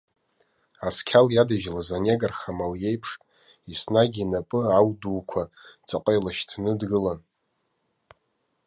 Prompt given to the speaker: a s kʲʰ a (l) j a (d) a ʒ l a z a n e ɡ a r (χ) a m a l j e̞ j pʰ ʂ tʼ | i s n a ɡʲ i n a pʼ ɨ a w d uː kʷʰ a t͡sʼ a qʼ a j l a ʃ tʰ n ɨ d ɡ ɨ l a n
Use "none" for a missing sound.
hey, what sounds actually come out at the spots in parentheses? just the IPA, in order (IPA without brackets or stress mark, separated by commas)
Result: l, d, χ